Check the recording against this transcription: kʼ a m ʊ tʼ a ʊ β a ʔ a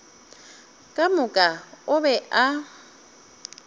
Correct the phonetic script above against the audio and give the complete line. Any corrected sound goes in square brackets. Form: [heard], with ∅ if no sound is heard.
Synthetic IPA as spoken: kʼ a m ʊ [kʼ] a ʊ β [ɛ] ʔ a